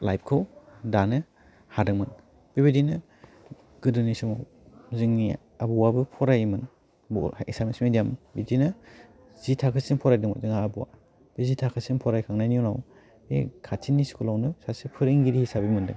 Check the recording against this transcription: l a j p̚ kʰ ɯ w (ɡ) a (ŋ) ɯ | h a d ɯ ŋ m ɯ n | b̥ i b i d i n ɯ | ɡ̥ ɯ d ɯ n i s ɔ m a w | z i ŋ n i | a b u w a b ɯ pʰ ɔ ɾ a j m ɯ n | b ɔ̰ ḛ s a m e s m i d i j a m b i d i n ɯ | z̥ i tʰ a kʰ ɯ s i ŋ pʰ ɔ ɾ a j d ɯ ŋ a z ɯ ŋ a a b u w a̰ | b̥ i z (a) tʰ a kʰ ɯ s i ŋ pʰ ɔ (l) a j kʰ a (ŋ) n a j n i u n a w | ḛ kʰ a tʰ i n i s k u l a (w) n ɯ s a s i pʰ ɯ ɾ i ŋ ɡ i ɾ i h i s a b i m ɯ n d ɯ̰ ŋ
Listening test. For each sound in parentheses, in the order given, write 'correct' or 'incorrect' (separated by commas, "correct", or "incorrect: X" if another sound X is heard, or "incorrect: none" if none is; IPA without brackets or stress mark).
incorrect: d, incorrect: n, incorrect: i, incorrect: ɾ, correct, correct